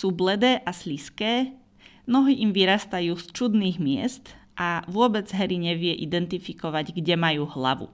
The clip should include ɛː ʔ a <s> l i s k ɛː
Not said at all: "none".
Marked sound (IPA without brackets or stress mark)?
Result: s